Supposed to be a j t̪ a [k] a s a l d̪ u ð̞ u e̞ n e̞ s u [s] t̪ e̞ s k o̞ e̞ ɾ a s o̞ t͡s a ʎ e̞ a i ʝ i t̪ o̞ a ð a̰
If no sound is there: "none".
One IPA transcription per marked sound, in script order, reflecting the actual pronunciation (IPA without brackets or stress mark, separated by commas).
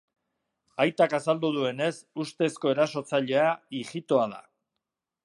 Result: k, s